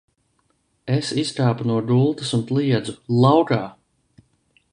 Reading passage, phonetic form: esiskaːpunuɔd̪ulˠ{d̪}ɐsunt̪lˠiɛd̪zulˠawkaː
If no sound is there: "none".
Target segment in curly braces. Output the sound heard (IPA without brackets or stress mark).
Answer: t̪